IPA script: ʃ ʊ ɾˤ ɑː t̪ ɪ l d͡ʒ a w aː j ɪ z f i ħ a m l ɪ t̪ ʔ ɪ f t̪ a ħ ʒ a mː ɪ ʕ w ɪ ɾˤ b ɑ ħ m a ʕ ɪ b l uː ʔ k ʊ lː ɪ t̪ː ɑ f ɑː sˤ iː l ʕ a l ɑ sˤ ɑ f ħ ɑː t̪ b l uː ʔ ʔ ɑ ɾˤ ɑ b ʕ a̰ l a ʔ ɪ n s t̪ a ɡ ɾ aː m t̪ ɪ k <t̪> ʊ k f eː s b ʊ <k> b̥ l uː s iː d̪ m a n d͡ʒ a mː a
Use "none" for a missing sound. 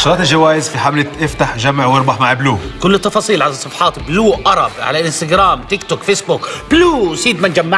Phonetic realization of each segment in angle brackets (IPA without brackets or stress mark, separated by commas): t̪, k